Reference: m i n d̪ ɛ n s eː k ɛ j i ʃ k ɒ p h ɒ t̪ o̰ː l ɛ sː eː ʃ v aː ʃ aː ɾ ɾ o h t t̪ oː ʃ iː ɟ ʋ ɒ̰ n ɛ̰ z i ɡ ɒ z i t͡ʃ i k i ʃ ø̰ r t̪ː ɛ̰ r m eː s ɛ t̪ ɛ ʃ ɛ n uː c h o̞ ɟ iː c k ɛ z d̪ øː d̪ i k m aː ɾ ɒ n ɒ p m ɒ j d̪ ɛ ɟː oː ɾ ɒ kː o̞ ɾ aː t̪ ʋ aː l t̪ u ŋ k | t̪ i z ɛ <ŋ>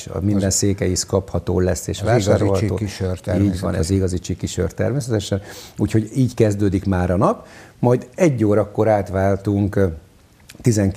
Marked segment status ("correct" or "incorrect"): correct